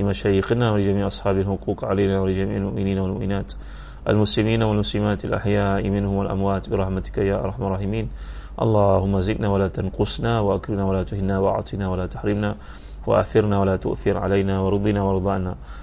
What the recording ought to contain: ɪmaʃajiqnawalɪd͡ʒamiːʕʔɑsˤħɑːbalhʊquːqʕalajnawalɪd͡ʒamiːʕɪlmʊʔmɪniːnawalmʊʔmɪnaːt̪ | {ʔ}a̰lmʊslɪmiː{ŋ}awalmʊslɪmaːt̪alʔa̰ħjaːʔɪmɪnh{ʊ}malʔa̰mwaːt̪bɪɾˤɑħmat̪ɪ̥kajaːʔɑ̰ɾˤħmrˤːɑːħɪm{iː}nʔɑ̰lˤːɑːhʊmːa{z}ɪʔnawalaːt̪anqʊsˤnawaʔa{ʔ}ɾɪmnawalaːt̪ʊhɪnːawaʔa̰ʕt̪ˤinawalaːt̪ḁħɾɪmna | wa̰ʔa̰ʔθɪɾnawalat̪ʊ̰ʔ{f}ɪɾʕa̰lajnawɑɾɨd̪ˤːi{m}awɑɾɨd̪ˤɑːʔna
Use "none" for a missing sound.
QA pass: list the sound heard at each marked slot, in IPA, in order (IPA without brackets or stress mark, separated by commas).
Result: ʔ, n, ʊ, iː, z, k, θ, n